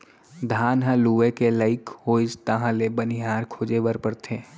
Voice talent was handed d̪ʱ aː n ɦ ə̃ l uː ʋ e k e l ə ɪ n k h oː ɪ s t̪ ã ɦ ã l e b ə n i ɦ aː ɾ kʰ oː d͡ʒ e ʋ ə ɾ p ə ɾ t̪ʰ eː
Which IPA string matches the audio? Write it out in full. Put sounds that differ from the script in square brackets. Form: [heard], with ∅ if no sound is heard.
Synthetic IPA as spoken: d̪ʱ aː n ɦ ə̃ l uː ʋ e k e l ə ɪ [∅] k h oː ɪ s t̪ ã ɦ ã l e b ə n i ɦ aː ɾ kʰ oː d͡ʒ e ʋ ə ɾ p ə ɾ t̪ʰ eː